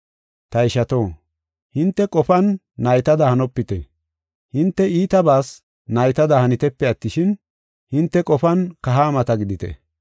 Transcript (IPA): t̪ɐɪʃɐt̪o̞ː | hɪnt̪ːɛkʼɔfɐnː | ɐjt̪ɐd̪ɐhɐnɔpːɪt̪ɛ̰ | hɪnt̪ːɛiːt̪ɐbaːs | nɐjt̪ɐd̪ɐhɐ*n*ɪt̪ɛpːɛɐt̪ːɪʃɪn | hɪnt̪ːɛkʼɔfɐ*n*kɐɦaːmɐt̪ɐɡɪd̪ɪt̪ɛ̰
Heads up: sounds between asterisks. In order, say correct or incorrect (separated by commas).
correct, correct